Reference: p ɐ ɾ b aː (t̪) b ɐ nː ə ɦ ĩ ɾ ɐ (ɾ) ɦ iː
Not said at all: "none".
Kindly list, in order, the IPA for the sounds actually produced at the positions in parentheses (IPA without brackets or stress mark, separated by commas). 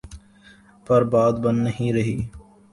d̪, none